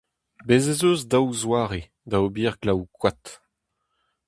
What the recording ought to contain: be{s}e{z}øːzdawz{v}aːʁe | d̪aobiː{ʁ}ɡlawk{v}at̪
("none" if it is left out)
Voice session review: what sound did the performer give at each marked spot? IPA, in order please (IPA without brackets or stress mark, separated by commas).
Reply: z, z, w, ʁ, w